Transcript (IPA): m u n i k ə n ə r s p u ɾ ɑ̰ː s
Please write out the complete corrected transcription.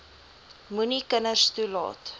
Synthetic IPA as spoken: m u n i k ə n ə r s t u l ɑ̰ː t